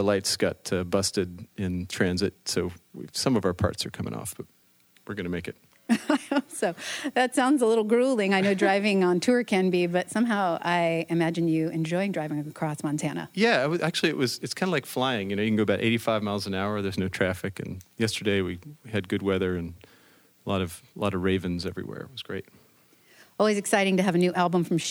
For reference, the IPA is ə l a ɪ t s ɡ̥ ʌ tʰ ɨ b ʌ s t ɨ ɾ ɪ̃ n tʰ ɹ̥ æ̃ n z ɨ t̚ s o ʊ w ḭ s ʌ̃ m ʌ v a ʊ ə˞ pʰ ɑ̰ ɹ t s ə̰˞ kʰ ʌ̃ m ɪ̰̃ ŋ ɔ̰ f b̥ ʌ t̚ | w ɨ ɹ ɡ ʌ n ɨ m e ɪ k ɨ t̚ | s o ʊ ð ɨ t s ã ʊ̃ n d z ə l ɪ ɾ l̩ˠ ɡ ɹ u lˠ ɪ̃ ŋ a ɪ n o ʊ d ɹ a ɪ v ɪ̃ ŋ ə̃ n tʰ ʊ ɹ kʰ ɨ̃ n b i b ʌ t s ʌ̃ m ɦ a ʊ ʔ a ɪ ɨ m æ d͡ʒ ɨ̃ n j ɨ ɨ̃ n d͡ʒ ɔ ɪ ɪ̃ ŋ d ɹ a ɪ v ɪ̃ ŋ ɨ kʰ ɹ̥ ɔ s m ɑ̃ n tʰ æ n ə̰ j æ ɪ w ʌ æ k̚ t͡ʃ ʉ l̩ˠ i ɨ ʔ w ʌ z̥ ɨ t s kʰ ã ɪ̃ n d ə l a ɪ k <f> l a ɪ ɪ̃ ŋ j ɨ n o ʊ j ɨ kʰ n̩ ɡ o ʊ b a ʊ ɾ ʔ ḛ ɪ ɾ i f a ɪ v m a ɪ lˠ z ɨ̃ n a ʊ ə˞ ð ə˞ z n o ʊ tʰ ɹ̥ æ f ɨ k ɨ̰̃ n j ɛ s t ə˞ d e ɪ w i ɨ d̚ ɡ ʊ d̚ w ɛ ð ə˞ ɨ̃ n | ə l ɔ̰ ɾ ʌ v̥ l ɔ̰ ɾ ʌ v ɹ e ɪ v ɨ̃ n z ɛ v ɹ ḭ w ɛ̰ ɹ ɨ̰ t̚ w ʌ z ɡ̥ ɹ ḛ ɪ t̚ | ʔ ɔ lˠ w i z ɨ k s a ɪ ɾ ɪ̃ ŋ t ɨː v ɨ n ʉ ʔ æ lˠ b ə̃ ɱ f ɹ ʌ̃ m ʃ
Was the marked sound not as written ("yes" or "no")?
no